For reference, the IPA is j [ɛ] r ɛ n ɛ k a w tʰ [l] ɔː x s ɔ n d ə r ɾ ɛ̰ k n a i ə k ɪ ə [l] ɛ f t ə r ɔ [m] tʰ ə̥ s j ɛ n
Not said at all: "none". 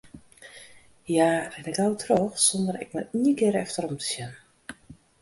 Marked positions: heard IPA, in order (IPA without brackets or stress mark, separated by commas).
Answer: a, r, ɾ, m